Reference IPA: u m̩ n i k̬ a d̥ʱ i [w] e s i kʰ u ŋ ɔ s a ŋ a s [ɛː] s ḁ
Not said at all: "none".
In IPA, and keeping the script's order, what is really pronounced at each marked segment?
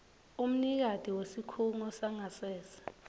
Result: w, ɛː

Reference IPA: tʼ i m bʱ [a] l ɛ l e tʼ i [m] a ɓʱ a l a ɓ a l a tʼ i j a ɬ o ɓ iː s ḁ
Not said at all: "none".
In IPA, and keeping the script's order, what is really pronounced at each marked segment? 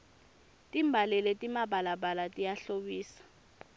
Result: a, m

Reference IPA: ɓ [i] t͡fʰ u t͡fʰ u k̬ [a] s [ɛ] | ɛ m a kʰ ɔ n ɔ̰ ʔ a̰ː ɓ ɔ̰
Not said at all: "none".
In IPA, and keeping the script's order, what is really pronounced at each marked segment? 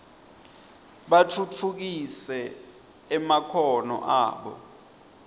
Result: a, i, ɛ

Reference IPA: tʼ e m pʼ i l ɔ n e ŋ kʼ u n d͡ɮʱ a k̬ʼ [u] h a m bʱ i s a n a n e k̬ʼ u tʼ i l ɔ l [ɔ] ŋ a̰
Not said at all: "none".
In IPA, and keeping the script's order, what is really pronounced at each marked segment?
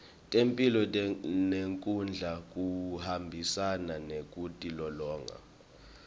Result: u, ɔː

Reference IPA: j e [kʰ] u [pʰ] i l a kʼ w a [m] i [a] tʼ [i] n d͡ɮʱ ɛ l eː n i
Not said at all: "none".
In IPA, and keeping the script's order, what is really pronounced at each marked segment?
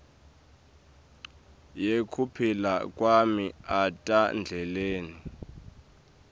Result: kʰ, pʰ, m, a, a

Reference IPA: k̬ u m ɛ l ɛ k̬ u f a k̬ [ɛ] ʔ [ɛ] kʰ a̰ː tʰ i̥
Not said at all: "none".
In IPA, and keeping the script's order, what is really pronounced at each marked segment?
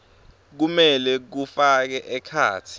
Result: ɛ, ɛ

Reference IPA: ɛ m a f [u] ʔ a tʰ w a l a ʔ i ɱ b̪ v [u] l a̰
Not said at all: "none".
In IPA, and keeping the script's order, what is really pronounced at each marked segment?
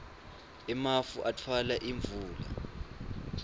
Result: u, uː

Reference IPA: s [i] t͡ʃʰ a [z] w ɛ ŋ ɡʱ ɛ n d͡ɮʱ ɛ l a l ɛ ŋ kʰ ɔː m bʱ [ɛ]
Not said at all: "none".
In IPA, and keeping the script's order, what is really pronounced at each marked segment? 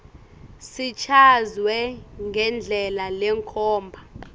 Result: i, z, a

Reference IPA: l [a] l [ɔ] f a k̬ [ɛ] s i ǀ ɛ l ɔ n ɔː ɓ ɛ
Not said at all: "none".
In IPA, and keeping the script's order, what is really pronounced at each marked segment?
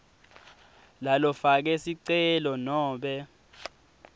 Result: a, ɔ, ɛ

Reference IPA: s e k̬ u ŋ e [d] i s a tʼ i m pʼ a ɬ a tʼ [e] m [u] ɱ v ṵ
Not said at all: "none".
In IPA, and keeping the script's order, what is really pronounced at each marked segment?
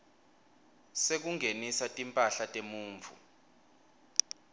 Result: n, e, uː

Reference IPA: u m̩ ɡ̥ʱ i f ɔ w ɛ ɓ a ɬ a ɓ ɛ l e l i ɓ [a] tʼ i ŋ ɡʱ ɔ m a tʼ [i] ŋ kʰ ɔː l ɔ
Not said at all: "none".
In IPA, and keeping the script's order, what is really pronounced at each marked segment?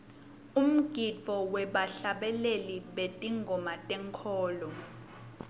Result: e, ɛ

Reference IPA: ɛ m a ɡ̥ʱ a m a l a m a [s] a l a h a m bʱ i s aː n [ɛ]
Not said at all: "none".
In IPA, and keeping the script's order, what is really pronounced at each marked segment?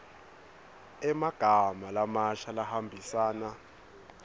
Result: ʃ, a

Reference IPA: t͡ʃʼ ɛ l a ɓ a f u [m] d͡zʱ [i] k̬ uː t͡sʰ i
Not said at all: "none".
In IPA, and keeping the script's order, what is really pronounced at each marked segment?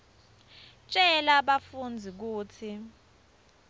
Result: n, i

